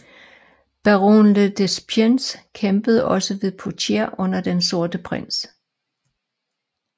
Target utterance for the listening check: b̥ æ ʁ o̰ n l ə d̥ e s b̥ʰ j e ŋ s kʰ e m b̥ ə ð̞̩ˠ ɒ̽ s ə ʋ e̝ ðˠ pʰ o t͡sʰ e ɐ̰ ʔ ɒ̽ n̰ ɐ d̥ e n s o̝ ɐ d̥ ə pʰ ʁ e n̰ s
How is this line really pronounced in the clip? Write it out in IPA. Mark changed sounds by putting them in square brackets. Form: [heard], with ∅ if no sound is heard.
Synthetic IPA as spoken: b̥ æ ʁ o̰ n l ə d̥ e s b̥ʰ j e [n] s kʰ e m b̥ ə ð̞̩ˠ ɒ̽ s ə ʋ e̝ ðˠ pʰ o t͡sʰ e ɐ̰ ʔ [ɔ̽] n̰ ɐ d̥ e n s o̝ ɐ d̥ ə pʰ ʁ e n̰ s